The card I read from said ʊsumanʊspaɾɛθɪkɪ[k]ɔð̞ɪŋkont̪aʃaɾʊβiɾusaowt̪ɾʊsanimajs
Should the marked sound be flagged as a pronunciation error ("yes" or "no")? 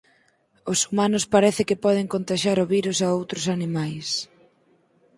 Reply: yes